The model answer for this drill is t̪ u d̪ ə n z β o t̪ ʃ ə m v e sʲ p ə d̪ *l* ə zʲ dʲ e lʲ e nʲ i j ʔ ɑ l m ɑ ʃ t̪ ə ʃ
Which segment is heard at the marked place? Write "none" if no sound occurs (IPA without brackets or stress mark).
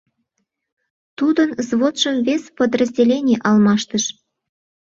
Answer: r